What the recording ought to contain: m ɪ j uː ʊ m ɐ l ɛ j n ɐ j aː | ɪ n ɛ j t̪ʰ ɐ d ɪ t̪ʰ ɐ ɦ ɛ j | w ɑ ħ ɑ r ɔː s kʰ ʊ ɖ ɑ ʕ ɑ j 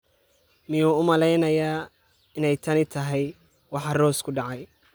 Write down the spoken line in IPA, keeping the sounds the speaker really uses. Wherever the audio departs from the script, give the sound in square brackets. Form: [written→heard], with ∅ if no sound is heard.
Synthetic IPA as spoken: m ɪ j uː ʊ m ɐ l ɛ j n ɐ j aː | ɪ n ɛ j t̪ʰ ɐ [d→n] ɪ t̪ʰ ɐ ɦ ɛ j | w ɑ ħ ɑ r ɔː s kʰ ʊ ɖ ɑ ʕ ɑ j

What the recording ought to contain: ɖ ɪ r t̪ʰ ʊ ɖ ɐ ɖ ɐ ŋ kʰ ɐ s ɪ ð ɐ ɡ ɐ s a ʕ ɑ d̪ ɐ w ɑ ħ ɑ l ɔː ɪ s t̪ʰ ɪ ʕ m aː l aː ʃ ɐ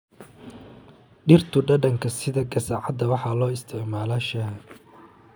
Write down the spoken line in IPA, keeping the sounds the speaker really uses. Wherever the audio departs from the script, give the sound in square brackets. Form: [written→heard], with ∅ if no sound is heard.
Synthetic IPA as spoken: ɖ ɪ r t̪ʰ ʊ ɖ ɐ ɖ ɐ ŋ kʰ ɐ s ɪ ð ɐ ɡ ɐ s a ʕ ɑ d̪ ɐ w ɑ ħ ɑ l ɔː ɪ s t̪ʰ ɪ ʕ m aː l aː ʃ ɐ

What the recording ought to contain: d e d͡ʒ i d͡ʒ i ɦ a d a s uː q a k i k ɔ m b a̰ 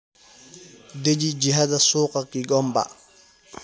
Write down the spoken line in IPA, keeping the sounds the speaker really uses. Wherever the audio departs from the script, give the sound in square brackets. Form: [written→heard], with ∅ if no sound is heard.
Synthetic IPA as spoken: d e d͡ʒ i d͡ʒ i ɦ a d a s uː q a k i [k→ɡ] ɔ m b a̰

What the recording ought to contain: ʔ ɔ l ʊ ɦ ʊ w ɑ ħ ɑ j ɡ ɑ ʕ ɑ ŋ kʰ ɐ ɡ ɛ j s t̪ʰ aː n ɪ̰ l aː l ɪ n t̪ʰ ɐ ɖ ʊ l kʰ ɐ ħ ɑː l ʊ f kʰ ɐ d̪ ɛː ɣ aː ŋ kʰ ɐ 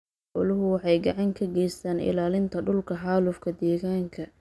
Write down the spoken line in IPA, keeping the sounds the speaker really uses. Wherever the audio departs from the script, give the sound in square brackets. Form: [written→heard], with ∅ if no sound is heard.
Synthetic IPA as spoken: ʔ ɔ l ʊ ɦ ʊ w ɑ ħ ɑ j ɡ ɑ ʕ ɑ ŋ kʰ ɐ ɡ ɛ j s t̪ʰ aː n ɪ̰ l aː l ɪ n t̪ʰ ɐ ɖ ʊ l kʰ ɐ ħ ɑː l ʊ f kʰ ɐ d̪ ɛː ɣ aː ŋ kʰ ɐ

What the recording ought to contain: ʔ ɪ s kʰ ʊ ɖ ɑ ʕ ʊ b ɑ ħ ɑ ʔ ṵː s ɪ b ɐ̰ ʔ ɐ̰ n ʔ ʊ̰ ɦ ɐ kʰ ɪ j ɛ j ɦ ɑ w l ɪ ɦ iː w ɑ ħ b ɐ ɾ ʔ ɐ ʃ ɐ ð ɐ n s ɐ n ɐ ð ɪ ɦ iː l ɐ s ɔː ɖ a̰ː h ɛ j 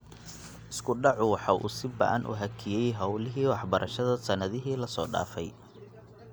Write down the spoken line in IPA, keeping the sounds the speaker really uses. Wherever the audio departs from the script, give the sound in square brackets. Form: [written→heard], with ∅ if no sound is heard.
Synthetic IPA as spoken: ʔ ɪ s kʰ ʊ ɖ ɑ ʕ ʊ [b→w] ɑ ħ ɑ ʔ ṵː s ɪ b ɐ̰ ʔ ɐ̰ n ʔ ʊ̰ ɦ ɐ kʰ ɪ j ɛ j ɦ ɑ w l ɪ ɦ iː w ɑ ħ b ɐ ɾ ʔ ɐ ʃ ɐ ð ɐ [n→∅] s ɐ n ɐ ð ɪ ɦ iː l ɐ s ɔː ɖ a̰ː [h→f] ɛ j

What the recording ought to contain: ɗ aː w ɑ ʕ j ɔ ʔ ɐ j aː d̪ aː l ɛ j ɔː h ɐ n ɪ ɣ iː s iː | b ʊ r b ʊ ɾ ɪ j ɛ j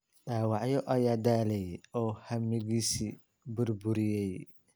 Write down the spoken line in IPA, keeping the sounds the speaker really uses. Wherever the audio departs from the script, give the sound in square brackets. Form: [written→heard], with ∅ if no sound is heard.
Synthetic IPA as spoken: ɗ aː w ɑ ʕ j ɔ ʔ ɐ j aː d̪ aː l ɛ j ɔː h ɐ [n→m] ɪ ɣ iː s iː | b ʊ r b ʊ ɾ ɪ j ɛ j

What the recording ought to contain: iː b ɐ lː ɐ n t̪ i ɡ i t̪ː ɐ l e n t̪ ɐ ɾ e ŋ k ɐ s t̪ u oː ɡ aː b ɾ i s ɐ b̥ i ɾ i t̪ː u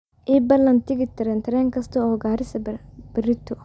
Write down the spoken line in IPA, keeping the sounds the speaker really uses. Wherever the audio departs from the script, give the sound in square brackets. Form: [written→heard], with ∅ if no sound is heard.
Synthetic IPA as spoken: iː b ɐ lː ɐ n t̪ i ɡ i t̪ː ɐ [l→ɾ] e n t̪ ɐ ɾ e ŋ k ɐ s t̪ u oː ɡ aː [b→∅] ɾ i s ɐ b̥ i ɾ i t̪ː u

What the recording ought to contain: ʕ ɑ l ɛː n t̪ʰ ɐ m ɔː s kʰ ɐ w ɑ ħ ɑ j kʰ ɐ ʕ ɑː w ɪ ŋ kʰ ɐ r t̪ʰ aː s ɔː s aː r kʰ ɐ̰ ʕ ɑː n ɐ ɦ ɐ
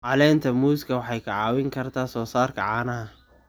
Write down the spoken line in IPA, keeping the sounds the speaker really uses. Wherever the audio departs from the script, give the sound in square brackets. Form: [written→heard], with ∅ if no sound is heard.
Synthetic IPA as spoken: ʕ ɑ l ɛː n t̪ʰ ɐ m [ɔː→uː] s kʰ ɐ w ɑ ħ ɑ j kʰ ɐ ʕ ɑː w ɪ ŋ kʰ ɐ r t̪ʰ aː s ɔː s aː r kʰ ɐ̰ ʕ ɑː n ɐ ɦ ɐ

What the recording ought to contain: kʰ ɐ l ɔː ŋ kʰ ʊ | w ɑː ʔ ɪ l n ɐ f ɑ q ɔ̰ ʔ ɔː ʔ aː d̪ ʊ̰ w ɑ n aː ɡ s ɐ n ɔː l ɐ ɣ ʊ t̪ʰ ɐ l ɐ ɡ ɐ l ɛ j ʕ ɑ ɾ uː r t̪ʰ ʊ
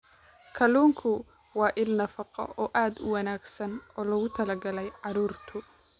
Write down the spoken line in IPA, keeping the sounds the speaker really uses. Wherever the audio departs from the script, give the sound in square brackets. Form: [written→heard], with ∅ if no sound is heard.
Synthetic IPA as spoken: kʰ ɐ l [ɔː→uː] ŋ kʰ ʊ | w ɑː ʔ ɪ l n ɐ f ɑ q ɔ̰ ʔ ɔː ʔ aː d̪ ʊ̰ w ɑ n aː ɡ s ɐ n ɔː l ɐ ɣ ʊ t̪ʰ ɐ l ɐ ɡ ɐ l ɛ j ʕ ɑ ɾ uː r t̪ʰ ʊ

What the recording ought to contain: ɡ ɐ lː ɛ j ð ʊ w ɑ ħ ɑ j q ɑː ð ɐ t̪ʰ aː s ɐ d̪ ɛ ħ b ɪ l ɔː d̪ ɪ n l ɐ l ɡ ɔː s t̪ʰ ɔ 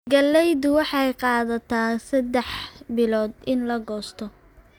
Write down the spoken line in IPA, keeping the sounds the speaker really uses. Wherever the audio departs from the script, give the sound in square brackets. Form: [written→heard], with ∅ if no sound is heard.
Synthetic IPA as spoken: ɡ ɐ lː ɛ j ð ʊ w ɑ ħ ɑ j q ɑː ð ɐ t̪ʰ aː s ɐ d̪ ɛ ħ b ɪ l ɔː d̪ ɪ n l ɐ [l→∅] ɡ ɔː s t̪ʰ ɔ

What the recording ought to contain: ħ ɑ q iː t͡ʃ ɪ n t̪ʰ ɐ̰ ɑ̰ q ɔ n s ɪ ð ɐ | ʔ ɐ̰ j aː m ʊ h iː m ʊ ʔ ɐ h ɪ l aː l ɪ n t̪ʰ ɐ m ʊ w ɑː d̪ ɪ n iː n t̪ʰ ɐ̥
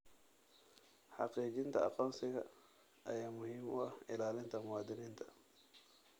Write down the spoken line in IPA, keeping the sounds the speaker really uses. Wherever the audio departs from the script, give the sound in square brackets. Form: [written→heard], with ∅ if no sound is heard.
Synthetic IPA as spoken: ħ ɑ q iː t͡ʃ ɪ n t̪ʰ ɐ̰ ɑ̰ q [ɔ→ɔː] n s ɪ [ð→ɣ] ɐ | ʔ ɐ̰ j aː m ʊ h iː m ʊ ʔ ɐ h ɪ l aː l ɪ n t̪ʰ ɐ m ʊ w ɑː d̪ ɪ n iː n t̪ʰ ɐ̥

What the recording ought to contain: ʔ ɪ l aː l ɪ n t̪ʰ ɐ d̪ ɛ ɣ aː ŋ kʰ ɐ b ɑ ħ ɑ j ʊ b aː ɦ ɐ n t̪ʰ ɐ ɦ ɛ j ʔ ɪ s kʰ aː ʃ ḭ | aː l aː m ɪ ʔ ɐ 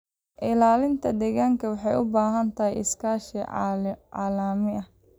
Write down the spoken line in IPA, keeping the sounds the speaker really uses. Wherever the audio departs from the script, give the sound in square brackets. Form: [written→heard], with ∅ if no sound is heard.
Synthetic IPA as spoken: ʔ ɪ l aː l ɪ n t̪ʰ ɐ d̪ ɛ ɣ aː ŋ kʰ ɐ [b→w] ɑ ħ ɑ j ʊ b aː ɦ ɐ n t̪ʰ ɐ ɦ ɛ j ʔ ɪ s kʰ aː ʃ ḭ | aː l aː m ɪ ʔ ɐ

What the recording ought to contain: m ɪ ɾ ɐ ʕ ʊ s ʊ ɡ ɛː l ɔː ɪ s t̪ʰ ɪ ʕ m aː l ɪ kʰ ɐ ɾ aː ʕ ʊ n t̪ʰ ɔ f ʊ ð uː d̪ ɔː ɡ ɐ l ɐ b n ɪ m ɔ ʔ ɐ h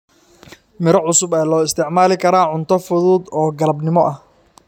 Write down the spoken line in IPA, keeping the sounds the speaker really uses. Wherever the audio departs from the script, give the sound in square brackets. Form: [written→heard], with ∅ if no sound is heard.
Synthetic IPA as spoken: m ɪ ɾ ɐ ʕ ʊ s ʊ [ɡ→b] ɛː l ɔː ɪ s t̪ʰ ɪ ʕ m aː l ɪ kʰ ɐ ɾ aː ʕ ʊ n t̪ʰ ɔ f ʊ ð uː d̪ ɔː ɡ ɐ l ɐ b n ɪ m ɔ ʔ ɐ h

